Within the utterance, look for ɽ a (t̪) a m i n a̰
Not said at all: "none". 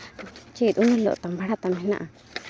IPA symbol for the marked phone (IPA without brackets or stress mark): t̪